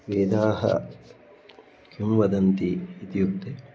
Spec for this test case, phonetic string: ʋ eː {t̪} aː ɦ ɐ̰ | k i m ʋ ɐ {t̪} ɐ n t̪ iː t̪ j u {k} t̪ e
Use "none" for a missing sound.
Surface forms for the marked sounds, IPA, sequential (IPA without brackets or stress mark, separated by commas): d̪, d̪, k